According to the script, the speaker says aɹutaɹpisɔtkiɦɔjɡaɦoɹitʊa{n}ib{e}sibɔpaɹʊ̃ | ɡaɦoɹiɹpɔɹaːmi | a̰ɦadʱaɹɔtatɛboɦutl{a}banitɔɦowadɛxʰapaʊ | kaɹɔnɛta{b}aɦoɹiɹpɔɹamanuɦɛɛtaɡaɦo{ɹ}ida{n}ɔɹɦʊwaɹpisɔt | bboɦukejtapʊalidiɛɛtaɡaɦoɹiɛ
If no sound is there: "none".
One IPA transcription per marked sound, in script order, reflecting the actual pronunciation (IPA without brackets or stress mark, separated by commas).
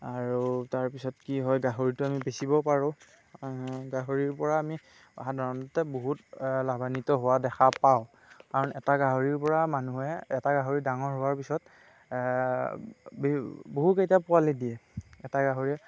m, e, a, ɡ, ɹ, ŋ